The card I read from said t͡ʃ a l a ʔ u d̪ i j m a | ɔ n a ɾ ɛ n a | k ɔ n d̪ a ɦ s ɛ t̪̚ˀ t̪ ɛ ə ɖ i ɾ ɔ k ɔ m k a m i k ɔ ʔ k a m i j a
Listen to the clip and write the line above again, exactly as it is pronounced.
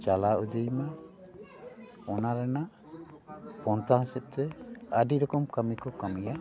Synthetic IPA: t͡ʃ a l a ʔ u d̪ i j m a | ɔ n a ɾ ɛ n a | p ɔ n t̪ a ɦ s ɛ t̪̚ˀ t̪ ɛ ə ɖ i ɾ ɔ k ɔ m k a m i k ɔ k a m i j a